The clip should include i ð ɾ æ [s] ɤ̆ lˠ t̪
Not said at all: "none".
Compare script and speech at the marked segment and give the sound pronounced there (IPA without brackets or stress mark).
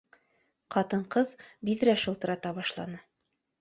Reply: ʃ